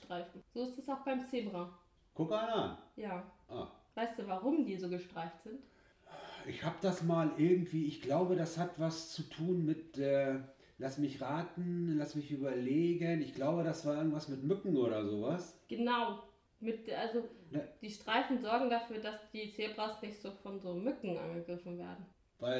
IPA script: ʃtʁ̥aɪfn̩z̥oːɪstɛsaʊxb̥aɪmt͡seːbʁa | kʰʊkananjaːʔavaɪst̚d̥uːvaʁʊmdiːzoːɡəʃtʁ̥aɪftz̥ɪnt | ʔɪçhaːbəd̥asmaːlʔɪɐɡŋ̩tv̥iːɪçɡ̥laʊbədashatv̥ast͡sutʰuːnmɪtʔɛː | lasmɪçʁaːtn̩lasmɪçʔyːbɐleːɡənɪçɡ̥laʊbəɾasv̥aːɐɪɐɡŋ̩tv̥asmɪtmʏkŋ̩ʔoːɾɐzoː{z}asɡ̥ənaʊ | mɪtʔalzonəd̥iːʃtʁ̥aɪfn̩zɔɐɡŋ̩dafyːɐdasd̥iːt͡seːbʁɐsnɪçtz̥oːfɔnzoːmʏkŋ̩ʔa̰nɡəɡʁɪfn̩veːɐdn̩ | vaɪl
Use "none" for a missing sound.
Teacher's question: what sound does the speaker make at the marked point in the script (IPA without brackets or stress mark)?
v